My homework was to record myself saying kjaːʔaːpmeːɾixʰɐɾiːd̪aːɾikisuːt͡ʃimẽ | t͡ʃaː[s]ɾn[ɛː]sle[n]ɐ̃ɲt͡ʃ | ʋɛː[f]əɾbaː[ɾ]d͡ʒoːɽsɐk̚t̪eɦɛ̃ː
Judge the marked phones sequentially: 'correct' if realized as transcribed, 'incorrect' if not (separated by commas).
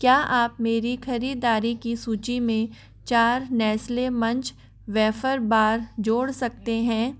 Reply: incorrect, correct, incorrect, correct, correct